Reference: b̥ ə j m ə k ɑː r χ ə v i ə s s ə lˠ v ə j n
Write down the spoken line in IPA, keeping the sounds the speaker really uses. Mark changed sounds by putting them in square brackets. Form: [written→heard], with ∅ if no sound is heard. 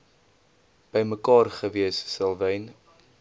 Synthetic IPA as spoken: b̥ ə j m ə k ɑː r χ ə v i ə s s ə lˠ v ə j n